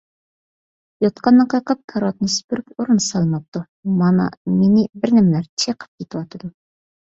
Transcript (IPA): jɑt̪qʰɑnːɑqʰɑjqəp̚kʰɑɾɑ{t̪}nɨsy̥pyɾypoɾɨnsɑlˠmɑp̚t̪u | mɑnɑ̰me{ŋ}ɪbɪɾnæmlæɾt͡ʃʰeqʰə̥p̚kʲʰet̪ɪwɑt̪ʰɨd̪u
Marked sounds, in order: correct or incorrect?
correct, incorrect: n

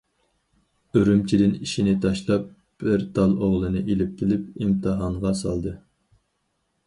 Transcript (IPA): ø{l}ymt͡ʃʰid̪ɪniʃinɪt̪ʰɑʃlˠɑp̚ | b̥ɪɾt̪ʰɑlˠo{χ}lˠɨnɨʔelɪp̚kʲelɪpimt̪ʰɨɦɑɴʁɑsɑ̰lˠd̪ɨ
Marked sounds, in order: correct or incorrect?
incorrect: ɾ, incorrect: ʁ

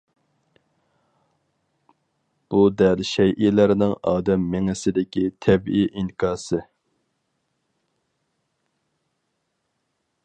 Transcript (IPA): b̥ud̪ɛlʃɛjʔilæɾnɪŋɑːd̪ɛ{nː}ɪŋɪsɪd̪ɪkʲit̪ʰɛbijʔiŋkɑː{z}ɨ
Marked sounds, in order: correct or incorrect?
incorrect: mː, incorrect: s

